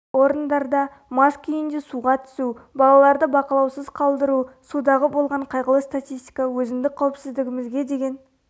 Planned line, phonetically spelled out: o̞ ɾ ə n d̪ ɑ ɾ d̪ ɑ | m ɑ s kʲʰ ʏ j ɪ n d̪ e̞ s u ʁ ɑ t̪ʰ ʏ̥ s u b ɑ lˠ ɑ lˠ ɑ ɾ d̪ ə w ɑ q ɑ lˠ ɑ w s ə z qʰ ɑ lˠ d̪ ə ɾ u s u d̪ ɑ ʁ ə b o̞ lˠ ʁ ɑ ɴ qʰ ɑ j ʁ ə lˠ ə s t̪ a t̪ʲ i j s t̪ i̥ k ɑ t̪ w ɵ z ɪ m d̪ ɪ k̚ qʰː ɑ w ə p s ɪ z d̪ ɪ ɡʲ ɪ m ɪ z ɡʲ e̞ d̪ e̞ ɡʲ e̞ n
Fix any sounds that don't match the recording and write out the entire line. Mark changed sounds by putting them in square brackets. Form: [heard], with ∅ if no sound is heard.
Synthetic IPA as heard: o̞ ɾ ə n d̪ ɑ ɾ d̪ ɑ | m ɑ s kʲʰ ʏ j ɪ n d̪ e̞ s u ʁ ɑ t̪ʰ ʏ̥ s u b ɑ lˠ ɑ lˠ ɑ ɾ d̪ ə [b] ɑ q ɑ lˠ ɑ w s ə z qʰ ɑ lˠ d̪ ə ɾ u s u d̪ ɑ ʁ ə b o̞ lˠ ʁ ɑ ɴ qʰ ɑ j ʁ ə lˠ ə s t̪ a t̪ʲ i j s t̪ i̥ k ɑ [∅] w ɵ z ɪ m d̪ ɪ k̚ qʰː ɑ w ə p s ɪ z d̪ ɪ ɡʲ ɪ m ɪ z ɡʲ e̞ d̪ e̞ ɡʲ e̞ n